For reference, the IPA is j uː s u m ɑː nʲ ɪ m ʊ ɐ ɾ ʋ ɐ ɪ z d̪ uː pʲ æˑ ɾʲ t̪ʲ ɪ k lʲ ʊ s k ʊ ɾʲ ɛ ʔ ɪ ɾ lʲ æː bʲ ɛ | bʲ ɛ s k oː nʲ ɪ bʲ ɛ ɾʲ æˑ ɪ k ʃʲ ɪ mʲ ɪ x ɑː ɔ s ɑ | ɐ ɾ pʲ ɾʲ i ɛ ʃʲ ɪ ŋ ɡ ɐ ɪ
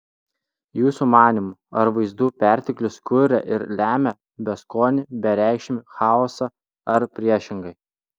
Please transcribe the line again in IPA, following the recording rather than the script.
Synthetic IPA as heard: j uː s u m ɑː nʲ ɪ m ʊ ɐ ɾ ʋ ɐ ɪ z d̪ uː pʲ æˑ ɾʲ t̪ʲ ɪ k lʲ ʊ s k ʊ ɾʲ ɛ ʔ ɪ ɾ lʲ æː mʲ ɛ | bʲ ɛ s k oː nʲ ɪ bʲ ɛ ɾʲ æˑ ɪ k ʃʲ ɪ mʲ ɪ x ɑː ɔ s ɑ | ɐ ɾ pʲ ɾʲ i ɛ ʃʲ ɪ ŋ ɡ ɐ ɪ

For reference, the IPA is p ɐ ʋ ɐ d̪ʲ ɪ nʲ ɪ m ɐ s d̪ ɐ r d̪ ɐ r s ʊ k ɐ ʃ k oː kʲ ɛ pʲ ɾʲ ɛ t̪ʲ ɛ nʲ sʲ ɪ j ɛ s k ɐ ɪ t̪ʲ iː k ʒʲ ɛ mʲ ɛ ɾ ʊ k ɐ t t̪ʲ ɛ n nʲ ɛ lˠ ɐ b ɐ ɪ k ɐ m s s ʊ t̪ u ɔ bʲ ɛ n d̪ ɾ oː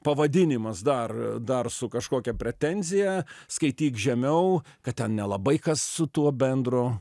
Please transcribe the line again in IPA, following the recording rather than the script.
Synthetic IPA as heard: p ɐ ʋ ɐ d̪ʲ ɪ nʲ ɪ m ɐ s d̪ ɐ r d̪ ɐ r s ʊ k ɐ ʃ k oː kʲ ɛ pʲ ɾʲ ɛ t̪ʲ ɛ nʲ zʲ ɪ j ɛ s k ɐ ɪ t̪ʲ iː k ʒʲ ɛ mʲ ɛ ʊ k ɐ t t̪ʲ ɛ n nʲ ɛ lˠ ɐ b ɐ ɪ k ɐ s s ʊ t̪ u ɔ bʲ ɛ n d̪ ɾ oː

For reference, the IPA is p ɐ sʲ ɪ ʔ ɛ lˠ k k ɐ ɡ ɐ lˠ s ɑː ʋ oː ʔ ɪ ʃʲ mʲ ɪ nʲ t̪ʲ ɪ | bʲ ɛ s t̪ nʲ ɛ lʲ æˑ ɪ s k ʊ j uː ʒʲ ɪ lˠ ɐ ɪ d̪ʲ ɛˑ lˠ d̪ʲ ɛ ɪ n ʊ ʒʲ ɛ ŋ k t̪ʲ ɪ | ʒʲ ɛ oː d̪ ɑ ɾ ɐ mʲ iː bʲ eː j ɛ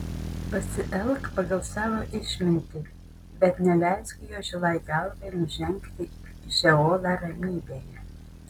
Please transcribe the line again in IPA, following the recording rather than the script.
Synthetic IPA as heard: p ɐ sʲ ɪ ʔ ɛ lˠ k p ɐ ɡ ɐ lˠ s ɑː ʋ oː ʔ ɪ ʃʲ mʲ ɪ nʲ t̪ʲ ɪ | bʲ ɛ t̪ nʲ ɛ lʲ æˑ ɪ s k ʊ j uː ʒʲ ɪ lˠ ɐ ɪ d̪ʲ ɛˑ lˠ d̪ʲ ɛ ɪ n ʊ ʒʲ ɛ ŋ k t̪ʲ ɪ | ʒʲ ɛ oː d̪ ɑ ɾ ɐ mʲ iː bʲ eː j ɛ

